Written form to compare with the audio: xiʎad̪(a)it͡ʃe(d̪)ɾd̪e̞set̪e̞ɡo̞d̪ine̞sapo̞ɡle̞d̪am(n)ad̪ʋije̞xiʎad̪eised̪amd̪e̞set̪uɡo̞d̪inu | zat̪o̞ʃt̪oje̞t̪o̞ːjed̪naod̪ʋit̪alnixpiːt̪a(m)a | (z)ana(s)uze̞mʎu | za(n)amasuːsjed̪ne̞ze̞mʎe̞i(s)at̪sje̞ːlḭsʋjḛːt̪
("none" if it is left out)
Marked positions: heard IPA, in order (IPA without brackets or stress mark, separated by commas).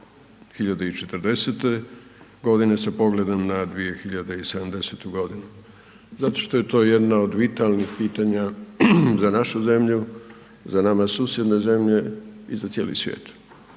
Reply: e, t̪, n, ɲ, z, ʃ, n, z